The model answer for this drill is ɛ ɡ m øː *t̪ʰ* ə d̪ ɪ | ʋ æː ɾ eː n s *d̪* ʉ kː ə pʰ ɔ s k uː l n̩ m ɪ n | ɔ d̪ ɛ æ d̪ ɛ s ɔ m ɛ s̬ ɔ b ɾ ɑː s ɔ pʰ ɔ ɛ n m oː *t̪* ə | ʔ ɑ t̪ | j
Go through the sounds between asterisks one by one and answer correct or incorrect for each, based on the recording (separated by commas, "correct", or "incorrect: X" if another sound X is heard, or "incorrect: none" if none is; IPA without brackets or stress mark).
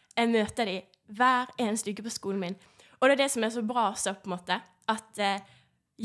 incorrect: t̪, incorrect: t̪, correct